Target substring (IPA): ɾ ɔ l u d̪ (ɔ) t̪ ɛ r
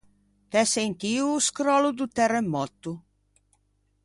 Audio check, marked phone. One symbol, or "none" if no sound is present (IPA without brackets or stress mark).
u